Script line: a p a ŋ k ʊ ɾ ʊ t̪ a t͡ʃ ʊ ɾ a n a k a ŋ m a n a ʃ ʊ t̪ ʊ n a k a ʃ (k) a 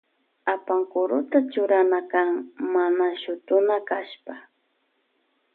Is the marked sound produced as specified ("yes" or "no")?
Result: no